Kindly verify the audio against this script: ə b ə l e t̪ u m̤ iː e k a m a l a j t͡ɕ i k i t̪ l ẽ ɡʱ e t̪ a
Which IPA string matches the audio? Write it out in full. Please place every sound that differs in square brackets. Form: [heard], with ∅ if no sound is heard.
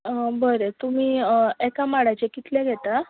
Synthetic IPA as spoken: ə b ə [ɾ] e t̪ u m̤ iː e k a m a [ɽ] a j t͡ɕ [e] k i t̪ l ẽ ɡʱ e t̪ a